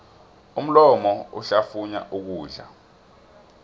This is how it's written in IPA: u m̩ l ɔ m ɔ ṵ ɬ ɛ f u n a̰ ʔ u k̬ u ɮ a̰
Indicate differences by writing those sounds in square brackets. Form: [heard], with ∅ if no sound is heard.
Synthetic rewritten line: u m̩ l ɔ m ɔ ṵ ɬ [a] f u [ɲ] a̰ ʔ u k̬ [uː] ɮ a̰